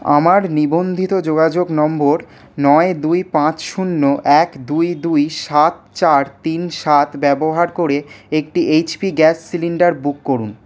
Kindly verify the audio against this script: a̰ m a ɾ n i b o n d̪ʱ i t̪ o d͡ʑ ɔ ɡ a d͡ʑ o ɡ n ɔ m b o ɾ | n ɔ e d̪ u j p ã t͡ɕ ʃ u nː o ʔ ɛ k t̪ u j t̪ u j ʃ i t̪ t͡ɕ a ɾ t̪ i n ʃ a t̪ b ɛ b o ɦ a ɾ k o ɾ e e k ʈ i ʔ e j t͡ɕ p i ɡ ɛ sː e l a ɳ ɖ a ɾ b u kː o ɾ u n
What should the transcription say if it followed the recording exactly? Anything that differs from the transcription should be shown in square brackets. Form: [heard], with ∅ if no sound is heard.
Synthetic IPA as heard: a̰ m a ɾ n i b o n d̪ʱ i t̪ o d͡ʑ [o] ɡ a d͡ʑ o ɡ n ɔ m b o ɾ | n ɔ e d̪ u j p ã t͡ɕ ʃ u nː o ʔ ɛ k [d̪] u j [d̪] u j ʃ [a] t̪ t͡ɕ a ɾ t̪ i n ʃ a t̪ b ɛ b o ɦ a ɾ k o ɾ e e k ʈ i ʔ e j t͡ɕ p i ɡ ɛ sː [i] l [i] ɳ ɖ a ɾ b u kː o ɾ u n

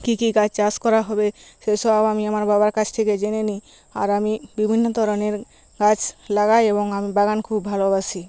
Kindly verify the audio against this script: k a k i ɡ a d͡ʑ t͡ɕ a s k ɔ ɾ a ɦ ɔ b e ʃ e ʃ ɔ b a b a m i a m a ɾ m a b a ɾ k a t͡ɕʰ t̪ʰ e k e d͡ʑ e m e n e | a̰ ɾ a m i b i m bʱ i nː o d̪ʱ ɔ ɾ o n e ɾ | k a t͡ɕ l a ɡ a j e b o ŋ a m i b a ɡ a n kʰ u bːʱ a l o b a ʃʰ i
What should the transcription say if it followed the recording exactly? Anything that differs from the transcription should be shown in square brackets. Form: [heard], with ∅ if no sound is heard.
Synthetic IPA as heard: k [i] k i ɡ a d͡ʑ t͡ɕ a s k ɔ ɾ a ɦ ɔ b e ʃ e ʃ ɔ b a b a m i a m a ɾ [b] a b a ɾ k a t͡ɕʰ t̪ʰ e k e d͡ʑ e [n] e n [i] | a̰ ɾ a m i b i [∅] bʱ i nː o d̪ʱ ɔ ɾ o n e ɾ | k a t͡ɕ l a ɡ a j e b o ŋ a m i b a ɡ a n kʰ u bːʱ a l o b a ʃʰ i

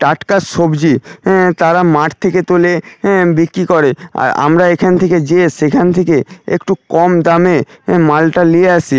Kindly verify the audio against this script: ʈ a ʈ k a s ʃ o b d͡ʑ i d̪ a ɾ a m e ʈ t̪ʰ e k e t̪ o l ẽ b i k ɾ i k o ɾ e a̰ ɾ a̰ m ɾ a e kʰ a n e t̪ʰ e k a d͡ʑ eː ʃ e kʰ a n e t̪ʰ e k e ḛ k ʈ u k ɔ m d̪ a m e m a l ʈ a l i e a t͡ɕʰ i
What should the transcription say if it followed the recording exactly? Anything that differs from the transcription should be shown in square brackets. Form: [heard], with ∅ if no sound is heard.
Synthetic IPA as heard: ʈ a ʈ k a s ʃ o b d͡ʑ i [t̪] a ɾ a m [a] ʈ t̪ʰ e k e t̪ o l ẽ b i k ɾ i k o ɾ e a̰ ɾ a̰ m ɾ a e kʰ a n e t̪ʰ e k [e] d͡ʑ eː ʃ e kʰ a n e t̪ʰ e k e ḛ k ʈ u k ɔ m d̪ a m e m a l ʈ a l i e a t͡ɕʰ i

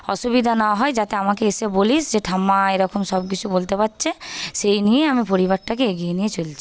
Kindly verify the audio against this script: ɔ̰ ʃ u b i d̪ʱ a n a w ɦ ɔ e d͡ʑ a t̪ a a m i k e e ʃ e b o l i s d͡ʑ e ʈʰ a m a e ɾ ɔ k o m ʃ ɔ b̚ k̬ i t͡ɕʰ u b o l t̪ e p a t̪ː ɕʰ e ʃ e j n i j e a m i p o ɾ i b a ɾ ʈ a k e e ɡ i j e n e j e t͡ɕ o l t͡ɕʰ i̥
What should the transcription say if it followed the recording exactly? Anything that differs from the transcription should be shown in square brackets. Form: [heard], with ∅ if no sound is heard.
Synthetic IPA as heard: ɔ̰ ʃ u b i d̪ʱ a n a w ɦ ɔ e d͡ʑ a t̪ [e] a m [a] k e e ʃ e b o l i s d͡ʑ e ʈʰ a m a e ɾ ɔ k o m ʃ ɔ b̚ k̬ i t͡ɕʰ u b o l t̪ e p a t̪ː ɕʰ e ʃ e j n i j e a m i p o ɾ i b a ɾ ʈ a k e e ɡ i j e n [i] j e t͡ɕ o l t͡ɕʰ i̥

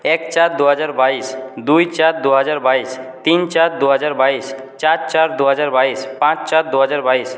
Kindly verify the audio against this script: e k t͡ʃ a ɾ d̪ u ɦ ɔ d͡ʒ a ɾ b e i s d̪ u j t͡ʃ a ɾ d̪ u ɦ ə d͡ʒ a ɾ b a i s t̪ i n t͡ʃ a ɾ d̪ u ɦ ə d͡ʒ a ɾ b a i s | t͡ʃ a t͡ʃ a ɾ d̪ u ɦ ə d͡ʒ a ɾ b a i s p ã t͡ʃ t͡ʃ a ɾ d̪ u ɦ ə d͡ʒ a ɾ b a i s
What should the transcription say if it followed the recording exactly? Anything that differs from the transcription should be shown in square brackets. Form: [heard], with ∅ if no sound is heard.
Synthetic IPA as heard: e k t͡ʃ a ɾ d̪ u ɦ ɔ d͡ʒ a ɾ b [a] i s d̪ u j t͡ʃ a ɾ d̪ u ɦ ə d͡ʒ a ɾ b a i s t̪ i n t͡ʃ a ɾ d̪ u ɦ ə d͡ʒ a ɾ b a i s | t͡ʃ a t͡ʃ a ɾ d̪ u ɦ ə d͡ʒ a ɾ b a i s p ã t͡ʃ t͡ʃ a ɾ d̪ u ɦ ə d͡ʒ a ɾ b a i s

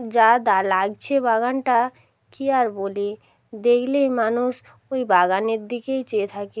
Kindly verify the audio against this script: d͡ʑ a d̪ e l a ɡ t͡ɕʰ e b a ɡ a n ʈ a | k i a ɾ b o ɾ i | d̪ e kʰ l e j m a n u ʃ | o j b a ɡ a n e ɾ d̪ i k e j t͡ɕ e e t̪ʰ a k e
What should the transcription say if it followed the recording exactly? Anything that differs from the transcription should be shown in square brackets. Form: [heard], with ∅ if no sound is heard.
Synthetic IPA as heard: d͡ʑ a d̪ [a] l a ɡ t͡ɕʰ e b a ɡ a n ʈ a | k i a ɾ b o [l] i | d̪ e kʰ l e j m a n u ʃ | o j b a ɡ a n e ɾ d̪ i k e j t͡ɕ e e t̪ʰ a k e

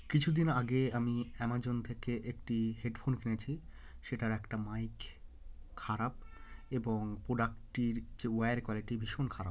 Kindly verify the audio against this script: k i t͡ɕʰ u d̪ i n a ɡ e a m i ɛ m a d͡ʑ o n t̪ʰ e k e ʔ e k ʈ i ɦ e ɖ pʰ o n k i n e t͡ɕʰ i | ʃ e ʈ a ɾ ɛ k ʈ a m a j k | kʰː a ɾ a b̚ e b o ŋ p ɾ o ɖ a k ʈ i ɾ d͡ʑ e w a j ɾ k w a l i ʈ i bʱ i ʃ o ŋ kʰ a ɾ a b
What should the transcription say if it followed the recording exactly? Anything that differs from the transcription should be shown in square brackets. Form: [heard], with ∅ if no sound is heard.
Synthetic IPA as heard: k i t͡ɕʰ u d̪ i n a ɡ e a m i ɛ m a d͡ʑ o n t̪ʰ e k e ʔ e k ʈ i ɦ e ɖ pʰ o n k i n e t͡ɕʰ i | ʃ e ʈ a ɾ ɛ k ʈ a m a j k | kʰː a ɾ a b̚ e b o ŋ p ɾ o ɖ a k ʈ i ɾ d͡ʑ e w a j ɾ k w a l i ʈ i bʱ i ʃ o [n] kʰ a ɾ a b

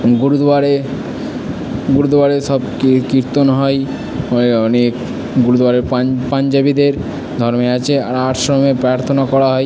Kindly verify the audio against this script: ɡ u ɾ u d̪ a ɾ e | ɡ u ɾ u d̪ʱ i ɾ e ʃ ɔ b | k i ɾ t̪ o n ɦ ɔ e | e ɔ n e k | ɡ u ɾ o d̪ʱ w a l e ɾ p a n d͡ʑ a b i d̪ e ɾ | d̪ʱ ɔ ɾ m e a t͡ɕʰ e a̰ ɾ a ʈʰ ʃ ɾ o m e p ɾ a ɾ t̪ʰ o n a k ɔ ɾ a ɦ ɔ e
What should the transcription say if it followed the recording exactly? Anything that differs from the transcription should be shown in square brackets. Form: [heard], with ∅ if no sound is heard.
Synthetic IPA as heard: ɡ u ɾ u d̪ a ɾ e | ɡ u ɾ u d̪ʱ [a] ɾ e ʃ ɔ b | k i ɾ t̪ o n ɦ ɔ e | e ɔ n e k | ɡ u ɾ [u] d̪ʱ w a [ɾ] e ɾ p a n d͡ʑ a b i d̪ e ɾ | d̪ʱ ɔ ɾ m e a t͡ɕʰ e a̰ ɾ a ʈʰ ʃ ɾ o m e p ɾ a ɾ t̪ʰ o n a k ɔ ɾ a ɦ ɔ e

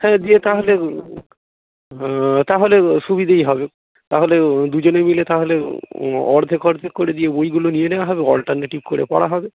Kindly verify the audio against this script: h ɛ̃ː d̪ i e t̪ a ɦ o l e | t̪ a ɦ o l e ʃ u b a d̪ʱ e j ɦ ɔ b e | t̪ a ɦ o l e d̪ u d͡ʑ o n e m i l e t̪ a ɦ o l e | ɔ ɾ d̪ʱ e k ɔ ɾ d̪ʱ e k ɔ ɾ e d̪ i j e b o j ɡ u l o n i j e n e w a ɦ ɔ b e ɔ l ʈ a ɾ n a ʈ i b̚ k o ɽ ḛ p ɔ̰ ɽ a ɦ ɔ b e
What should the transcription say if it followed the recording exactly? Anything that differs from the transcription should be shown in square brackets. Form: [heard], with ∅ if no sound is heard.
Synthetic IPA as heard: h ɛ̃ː d̪ i e t̪ a ɦ o l e | t̪ a ɦ o l e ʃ u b [i] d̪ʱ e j ɦ ɔ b e | t̪ a ɦ o l e d̪ u d͡ʑ o n e m i l e t̪ a ɦ o l e | ɔ ɾ d̪ʱ e k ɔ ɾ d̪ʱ e k [o] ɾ e d̪ i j e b o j ɡ u l o n i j e n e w a ɦ ɔ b e ɔ l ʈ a ɾ n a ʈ i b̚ k o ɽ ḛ p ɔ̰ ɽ a ɦ ɔ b e

